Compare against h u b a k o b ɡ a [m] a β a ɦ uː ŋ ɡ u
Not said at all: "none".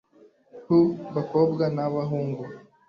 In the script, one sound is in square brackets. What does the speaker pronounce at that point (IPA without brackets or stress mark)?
n